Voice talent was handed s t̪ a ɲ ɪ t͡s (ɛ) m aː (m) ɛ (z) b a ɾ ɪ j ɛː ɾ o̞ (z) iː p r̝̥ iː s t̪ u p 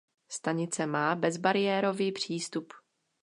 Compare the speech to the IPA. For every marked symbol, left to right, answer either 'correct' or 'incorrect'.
correct, incorrect, correct, incorrect

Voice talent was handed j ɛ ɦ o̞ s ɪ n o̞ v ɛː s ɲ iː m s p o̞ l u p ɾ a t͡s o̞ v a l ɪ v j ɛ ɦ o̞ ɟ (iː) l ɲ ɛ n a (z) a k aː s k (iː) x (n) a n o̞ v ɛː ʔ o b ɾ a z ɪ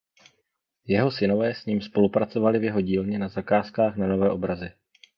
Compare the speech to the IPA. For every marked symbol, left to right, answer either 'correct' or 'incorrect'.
correct, correct, incorrect, correct

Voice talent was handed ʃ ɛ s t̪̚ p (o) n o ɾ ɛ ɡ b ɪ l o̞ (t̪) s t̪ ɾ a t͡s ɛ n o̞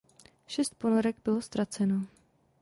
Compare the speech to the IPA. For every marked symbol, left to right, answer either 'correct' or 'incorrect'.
correct, incorrect

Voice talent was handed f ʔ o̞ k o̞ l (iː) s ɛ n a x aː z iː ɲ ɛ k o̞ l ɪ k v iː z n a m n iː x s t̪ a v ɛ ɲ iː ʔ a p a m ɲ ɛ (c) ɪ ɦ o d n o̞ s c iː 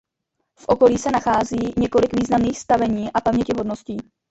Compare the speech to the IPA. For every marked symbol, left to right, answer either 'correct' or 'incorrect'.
correct, correct

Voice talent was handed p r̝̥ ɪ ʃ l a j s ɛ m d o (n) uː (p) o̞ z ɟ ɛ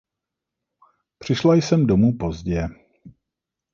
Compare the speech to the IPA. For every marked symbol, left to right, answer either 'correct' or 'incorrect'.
incorrect, correct

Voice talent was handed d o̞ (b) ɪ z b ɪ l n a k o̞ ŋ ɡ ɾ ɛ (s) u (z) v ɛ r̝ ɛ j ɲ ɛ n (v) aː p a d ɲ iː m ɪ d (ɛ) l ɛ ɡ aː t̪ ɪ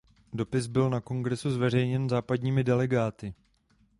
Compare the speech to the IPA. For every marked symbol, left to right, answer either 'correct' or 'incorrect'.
incorrect, correct, correct, incorrect, correct

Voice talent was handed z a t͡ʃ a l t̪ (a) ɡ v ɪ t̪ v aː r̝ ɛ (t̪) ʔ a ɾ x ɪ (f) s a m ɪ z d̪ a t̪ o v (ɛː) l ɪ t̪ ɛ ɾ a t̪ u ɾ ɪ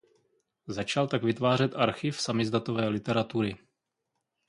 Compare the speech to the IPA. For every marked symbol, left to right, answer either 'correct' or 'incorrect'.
correct, correct, correct, correct

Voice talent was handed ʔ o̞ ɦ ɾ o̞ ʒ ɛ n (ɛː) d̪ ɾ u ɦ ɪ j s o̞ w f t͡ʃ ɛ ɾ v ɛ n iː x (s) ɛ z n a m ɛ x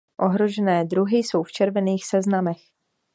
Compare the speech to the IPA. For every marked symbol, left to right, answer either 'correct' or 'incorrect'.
correct, correct

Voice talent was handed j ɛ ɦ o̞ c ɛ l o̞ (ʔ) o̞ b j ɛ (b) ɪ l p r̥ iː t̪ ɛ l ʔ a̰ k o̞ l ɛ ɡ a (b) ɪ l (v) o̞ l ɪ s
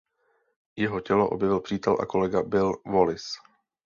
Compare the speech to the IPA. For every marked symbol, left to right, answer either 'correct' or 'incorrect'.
correct, incorrect, correct, correct

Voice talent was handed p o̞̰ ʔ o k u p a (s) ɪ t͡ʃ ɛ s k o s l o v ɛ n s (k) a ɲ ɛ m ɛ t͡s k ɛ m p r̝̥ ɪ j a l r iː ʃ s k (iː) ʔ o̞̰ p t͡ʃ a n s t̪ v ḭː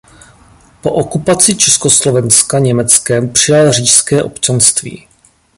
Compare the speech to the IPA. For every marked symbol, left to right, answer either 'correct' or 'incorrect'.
incorrect, correct, incorrect

